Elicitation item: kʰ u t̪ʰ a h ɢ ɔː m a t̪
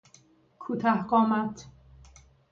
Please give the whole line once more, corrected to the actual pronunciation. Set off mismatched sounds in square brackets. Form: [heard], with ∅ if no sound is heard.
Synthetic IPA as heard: kʰ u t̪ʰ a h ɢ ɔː m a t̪